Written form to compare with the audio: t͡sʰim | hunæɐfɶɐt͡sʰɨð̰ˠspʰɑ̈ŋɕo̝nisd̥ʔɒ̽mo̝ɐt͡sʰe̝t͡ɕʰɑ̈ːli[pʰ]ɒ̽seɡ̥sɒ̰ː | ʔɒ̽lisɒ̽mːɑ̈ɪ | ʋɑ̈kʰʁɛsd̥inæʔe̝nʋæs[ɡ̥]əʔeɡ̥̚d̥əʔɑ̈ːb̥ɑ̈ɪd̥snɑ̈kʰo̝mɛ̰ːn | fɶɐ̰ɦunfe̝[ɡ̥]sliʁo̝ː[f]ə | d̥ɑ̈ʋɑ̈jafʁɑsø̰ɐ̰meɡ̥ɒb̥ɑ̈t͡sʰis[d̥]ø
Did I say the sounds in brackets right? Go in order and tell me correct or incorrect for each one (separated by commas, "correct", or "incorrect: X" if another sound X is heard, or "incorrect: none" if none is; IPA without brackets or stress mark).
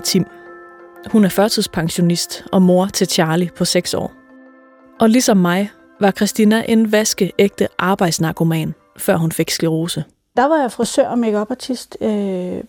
correct, correct, correct, incorrect: s, correct